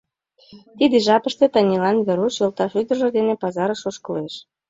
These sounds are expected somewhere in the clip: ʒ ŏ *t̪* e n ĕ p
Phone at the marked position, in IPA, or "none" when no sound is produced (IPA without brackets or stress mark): d̪